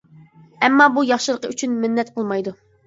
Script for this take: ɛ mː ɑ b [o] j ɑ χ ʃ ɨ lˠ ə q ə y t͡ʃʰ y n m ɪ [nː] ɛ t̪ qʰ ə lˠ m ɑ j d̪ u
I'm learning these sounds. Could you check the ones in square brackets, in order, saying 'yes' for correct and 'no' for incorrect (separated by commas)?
no, yes